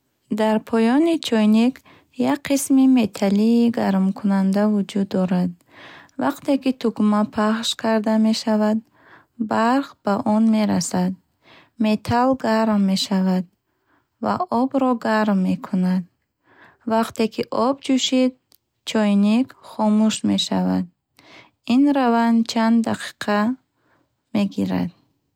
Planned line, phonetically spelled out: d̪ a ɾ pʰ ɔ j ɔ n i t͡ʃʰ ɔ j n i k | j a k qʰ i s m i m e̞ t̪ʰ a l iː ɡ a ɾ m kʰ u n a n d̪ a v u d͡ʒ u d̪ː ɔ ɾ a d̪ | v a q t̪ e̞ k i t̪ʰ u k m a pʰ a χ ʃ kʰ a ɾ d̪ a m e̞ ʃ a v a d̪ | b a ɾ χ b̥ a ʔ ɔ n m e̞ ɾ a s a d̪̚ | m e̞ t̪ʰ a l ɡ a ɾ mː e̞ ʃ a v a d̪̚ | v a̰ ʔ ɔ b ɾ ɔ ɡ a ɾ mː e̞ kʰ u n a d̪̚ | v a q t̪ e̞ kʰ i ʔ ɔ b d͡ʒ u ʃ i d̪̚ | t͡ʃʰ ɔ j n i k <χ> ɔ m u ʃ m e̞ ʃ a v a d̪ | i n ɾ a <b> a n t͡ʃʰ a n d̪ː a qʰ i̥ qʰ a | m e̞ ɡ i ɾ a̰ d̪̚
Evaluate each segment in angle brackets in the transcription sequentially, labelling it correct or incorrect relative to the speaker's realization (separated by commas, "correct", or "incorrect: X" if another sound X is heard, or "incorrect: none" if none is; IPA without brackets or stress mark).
correct, incorrect: v